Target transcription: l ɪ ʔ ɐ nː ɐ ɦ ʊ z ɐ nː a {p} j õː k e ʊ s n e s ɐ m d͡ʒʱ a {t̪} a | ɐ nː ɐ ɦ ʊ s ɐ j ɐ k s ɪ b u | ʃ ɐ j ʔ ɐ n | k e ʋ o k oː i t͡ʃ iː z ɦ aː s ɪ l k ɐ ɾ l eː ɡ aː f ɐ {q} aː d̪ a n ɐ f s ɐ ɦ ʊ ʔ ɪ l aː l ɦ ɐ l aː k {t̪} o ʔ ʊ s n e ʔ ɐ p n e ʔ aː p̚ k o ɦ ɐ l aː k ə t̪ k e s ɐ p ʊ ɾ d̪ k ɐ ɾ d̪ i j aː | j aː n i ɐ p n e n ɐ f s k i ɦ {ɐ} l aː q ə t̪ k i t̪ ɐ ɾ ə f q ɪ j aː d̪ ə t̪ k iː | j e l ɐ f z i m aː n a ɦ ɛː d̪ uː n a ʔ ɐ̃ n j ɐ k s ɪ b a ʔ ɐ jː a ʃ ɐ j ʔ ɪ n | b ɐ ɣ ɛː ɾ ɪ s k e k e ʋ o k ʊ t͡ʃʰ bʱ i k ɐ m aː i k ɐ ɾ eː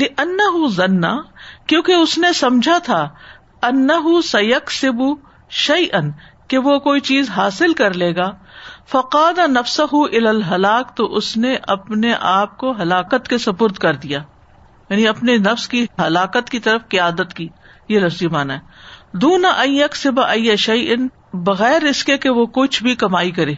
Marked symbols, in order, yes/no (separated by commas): no, no, yes, yes, yes